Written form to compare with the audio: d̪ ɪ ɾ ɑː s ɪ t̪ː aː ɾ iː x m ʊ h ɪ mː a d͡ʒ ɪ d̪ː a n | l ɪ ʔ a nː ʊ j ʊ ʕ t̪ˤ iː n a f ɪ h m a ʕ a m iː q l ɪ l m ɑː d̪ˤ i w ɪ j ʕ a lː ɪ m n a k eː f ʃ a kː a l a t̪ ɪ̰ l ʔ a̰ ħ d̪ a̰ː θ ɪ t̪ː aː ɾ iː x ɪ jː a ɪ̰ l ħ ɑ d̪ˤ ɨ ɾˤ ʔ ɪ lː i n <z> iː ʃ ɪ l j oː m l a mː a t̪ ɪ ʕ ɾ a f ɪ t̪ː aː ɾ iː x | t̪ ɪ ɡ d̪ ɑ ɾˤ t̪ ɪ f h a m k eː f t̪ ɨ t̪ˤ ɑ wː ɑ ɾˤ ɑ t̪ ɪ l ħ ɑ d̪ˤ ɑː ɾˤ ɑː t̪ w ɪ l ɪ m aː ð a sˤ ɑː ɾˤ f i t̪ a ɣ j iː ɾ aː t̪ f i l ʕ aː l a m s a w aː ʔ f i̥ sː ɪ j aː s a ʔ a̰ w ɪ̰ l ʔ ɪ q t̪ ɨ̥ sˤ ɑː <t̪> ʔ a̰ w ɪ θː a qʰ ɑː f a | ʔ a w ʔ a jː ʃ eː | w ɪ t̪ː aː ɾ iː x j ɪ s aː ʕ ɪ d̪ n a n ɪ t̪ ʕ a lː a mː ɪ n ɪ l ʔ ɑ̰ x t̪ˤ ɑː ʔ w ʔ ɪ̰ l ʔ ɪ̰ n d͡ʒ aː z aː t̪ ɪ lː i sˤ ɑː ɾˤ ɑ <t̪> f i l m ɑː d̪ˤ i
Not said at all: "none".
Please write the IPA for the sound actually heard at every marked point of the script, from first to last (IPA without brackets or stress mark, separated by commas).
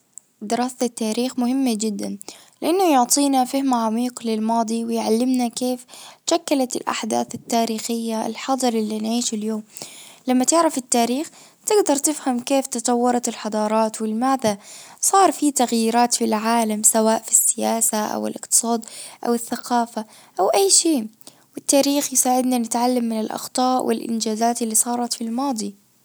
ʕ, d̪, t̪